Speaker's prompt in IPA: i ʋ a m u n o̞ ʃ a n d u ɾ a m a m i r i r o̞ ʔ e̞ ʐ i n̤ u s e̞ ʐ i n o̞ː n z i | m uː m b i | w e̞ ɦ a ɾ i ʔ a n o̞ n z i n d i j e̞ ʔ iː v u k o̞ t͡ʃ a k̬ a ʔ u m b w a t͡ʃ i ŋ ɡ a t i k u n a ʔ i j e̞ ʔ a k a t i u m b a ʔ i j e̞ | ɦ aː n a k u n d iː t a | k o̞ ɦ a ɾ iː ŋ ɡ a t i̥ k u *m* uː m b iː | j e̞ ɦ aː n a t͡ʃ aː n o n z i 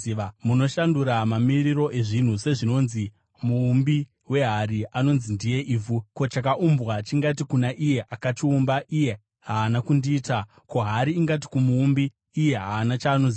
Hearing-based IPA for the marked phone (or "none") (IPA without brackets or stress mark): m